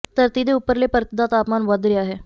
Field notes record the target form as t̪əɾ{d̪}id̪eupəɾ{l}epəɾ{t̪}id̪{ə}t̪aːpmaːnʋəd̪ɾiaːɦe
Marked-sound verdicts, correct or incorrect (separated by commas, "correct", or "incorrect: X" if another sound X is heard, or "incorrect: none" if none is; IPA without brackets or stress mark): incorrect: t̪, correct, correct, incorrect: a